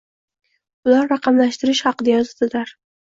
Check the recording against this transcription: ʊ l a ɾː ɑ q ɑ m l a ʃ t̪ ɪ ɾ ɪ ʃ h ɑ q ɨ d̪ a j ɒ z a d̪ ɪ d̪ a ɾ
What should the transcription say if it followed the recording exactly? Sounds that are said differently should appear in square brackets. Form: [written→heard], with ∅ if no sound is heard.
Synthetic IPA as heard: ʊ l a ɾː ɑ q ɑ m l a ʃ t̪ ɪ ɾ ɪ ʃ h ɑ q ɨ d̪ a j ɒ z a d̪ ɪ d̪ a ɾ